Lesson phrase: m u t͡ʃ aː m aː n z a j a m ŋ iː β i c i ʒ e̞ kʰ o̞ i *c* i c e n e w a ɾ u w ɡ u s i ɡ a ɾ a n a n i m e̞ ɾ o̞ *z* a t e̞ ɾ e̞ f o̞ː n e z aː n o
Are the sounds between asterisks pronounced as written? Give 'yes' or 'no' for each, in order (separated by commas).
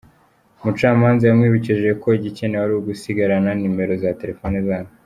no, yes